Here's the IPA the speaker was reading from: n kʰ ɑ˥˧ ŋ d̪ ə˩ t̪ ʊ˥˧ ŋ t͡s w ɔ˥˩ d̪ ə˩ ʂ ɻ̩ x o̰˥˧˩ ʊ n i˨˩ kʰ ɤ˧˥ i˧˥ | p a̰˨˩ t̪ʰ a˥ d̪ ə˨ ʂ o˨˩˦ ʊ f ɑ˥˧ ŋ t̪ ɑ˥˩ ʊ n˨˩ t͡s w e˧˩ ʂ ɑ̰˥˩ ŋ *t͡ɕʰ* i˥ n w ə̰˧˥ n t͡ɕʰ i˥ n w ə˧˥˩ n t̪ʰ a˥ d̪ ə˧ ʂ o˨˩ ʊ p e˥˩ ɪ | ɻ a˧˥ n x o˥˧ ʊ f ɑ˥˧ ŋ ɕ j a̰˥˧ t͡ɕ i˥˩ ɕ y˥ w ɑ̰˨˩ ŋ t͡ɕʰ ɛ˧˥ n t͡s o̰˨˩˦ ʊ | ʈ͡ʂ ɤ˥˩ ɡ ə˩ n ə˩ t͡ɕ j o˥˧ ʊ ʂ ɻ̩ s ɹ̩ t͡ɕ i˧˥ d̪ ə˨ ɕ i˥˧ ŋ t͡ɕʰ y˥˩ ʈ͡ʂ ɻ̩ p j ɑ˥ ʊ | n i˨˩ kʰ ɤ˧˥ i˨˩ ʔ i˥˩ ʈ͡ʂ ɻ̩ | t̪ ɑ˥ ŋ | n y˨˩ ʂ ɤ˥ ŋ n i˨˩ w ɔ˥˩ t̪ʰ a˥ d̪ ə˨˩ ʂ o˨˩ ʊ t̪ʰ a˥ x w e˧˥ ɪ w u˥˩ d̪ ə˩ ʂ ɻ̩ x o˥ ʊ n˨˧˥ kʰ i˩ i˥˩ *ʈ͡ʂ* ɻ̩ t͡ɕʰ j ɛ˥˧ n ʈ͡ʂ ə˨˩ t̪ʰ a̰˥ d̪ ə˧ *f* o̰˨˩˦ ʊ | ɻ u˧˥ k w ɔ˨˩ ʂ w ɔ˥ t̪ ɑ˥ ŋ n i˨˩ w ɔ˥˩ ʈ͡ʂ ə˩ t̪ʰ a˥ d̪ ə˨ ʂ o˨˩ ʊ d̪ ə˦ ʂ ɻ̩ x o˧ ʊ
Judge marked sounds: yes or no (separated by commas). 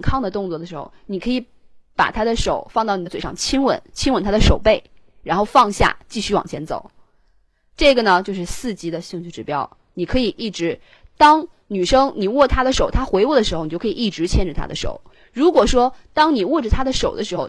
yes, yes, no